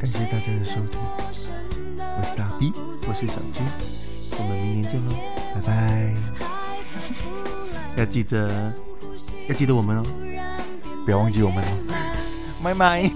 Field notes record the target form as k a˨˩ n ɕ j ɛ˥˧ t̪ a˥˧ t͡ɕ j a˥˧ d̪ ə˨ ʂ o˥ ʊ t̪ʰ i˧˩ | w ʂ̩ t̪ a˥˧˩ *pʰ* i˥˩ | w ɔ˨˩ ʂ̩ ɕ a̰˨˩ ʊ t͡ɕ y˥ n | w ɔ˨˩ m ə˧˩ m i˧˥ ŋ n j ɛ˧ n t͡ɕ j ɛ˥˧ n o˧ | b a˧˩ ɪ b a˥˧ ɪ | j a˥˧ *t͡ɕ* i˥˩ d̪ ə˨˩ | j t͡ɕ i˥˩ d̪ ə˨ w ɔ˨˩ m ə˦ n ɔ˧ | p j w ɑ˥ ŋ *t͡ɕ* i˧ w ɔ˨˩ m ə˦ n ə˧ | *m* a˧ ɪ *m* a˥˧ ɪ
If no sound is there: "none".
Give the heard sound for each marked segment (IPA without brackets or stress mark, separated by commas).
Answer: p, t͡ɕ, t͡ɕ, m, m